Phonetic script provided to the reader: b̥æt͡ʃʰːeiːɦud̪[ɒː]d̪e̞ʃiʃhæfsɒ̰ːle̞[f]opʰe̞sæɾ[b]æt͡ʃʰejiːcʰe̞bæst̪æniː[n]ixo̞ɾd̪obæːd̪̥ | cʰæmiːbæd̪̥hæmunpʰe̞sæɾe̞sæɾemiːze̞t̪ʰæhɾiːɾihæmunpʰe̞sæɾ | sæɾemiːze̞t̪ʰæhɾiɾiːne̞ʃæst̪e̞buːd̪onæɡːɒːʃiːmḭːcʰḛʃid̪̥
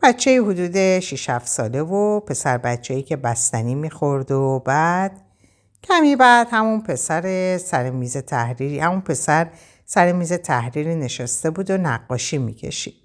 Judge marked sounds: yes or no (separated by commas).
no, no, yes, no